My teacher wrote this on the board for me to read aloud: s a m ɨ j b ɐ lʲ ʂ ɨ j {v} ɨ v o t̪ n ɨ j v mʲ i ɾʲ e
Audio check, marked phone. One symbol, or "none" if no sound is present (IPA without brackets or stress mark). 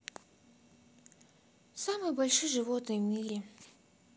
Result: ʐ